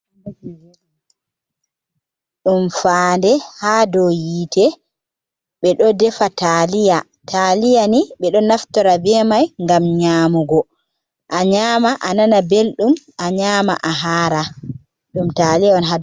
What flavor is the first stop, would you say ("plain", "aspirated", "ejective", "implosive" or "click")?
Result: implosive